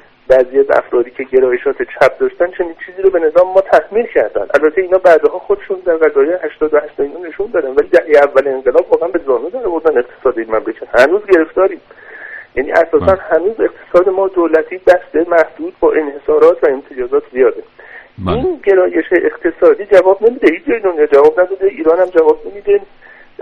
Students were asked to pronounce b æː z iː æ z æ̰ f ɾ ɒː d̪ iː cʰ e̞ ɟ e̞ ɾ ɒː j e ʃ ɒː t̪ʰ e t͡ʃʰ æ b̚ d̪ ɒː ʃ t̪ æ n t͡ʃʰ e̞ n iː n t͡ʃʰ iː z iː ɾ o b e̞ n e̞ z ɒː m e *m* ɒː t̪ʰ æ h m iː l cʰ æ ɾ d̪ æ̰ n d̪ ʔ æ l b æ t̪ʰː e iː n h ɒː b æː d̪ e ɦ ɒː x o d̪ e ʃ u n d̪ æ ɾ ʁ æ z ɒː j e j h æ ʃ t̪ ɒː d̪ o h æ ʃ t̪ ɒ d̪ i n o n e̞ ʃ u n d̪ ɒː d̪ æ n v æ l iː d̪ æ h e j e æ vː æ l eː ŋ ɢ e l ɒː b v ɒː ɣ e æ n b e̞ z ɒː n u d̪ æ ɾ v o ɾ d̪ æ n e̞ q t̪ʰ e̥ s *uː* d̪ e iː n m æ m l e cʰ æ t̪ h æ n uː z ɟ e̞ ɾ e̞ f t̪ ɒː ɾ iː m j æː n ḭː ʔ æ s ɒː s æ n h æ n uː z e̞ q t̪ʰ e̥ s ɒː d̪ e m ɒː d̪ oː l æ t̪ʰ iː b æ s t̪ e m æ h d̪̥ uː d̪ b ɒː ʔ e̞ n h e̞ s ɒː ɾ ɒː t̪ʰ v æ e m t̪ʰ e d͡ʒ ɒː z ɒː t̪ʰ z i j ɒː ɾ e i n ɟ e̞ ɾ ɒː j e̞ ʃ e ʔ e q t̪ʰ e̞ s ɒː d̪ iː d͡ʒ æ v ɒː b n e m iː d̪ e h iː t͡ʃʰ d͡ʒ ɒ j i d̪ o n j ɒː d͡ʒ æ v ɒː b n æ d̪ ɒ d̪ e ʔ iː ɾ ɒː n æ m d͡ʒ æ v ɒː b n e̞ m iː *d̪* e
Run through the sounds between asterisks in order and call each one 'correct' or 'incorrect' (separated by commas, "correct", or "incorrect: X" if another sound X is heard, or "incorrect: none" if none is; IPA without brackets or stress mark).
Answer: correct, incorrect: ɒː, correct